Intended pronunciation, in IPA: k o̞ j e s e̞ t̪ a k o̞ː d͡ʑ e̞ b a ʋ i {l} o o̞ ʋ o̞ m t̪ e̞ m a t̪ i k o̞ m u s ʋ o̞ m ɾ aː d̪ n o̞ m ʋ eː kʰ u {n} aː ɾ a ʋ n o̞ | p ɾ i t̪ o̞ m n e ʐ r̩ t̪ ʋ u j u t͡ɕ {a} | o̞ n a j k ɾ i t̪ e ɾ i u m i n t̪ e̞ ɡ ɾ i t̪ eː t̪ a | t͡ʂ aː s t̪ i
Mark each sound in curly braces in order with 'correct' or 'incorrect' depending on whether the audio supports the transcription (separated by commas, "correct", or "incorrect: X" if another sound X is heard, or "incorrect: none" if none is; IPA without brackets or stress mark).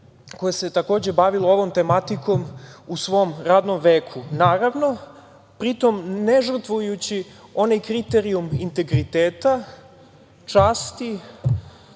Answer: correct, correct, incorrect: i